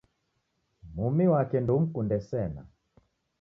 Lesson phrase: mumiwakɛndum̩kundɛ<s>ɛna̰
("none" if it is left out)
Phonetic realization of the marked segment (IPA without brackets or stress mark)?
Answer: s